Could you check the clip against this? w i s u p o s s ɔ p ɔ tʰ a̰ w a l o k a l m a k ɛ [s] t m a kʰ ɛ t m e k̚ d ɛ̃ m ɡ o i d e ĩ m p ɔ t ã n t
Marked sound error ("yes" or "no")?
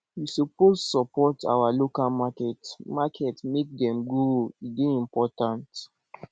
yes